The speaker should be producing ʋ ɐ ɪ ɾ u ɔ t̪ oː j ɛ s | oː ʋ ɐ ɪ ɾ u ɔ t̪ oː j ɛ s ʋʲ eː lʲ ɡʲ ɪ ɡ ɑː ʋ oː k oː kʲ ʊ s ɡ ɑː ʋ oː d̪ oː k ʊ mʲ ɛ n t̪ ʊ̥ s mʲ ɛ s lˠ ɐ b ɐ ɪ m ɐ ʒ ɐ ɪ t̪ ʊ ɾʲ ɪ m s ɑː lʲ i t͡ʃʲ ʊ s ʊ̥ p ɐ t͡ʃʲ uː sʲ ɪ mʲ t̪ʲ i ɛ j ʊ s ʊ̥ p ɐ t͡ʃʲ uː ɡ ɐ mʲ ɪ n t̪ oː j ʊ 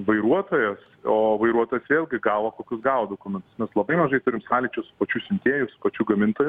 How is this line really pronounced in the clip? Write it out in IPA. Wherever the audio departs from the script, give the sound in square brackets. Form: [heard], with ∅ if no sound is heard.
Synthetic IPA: ʋ ɐ ɪ ɾ u ɔ t̪ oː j ɛ s | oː ʋ ɐ ɪ ɾ u ɔ t̪ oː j ɛ s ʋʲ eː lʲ ɡʲ ɪ ɡ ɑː ʋ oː k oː kʲ ʊ s ɡ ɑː ʋ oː d̪ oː k ʊ mʲ ɛ n t̪ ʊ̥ s mʲ ɛ s lˠ ɐ b ɐ ɪ m ɐ ʒ ɐ ɪ t̪ ʊ ɾʲ ɪ m s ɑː lʲ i t͡ʃʲ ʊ s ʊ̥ p ɐ t͡ʃʲ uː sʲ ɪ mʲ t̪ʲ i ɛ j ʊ s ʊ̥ p ɐ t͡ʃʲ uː ɡ ɐ mʲ ɪ n t̪ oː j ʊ